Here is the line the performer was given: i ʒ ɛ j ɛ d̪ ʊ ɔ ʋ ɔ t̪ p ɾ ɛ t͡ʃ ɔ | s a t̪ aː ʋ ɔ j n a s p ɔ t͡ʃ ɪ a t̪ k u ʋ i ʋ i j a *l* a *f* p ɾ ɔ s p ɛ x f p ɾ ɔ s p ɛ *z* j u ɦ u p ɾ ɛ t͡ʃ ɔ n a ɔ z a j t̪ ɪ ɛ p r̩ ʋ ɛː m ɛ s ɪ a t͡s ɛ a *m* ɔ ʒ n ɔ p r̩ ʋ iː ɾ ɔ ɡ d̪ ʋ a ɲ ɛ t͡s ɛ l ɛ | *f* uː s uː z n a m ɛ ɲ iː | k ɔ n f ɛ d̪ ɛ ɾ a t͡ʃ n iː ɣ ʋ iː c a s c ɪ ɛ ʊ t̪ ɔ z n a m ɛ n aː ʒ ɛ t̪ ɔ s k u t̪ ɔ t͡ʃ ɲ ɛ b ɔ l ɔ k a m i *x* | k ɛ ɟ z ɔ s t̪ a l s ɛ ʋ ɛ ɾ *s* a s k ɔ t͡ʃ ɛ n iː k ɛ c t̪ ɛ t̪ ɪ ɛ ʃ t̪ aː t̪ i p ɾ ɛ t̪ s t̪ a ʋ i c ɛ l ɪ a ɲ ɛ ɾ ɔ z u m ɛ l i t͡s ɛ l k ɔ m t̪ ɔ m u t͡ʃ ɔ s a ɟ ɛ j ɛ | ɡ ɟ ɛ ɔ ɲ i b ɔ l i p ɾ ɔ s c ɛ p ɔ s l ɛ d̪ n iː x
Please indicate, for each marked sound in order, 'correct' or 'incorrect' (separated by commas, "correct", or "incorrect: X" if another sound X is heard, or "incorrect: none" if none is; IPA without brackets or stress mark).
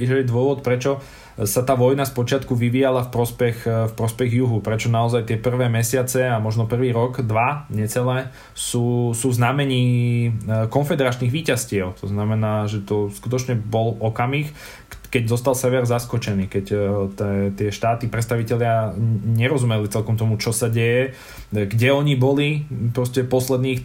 correct, correct, incorrect: ɣ, correct, incorrect: s, correct, incorrect: z